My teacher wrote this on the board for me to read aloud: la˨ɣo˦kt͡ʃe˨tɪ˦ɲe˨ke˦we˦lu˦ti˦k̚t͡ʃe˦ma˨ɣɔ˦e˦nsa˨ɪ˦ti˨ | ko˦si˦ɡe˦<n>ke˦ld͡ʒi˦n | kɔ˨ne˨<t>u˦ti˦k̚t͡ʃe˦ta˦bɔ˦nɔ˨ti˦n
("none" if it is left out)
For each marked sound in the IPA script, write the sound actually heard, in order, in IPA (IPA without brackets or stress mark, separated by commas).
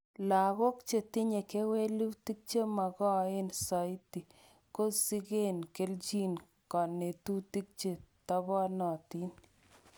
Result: n, t